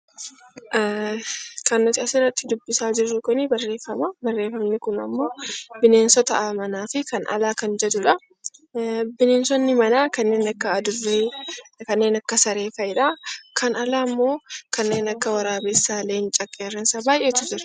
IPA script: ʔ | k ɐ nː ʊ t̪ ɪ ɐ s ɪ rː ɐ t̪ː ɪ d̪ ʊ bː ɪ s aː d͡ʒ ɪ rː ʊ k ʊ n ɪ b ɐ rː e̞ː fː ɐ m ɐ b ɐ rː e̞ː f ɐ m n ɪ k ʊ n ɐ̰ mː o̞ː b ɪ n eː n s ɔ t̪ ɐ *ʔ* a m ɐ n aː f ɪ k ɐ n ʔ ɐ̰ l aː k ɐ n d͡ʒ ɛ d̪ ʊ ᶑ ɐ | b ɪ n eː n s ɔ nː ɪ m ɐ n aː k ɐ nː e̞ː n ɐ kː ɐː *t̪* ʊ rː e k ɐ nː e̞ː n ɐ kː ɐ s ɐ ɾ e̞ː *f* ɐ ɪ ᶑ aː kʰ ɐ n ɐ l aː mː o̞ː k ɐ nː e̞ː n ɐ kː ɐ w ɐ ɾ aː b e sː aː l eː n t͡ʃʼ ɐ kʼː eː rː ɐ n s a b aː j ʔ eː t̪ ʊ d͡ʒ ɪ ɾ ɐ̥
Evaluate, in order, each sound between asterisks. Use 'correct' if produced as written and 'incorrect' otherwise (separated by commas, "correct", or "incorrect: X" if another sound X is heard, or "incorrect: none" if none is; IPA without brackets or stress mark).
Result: correct, incorrect: d̪, correct